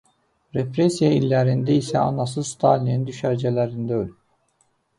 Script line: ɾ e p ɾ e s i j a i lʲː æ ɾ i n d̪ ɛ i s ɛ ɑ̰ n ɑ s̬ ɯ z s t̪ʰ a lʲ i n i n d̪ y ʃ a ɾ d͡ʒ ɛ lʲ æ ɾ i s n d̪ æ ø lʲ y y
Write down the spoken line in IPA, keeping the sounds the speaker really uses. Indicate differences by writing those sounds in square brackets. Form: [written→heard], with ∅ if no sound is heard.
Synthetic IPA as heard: ɾ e p ɾ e s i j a i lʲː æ ɾ i n d̪ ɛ i s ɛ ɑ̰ n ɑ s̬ ɯ z s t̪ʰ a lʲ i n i n d̪ y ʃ [a→æ] ɾ d͡ʒ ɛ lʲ æ ɾ i [s→∅] n d̪ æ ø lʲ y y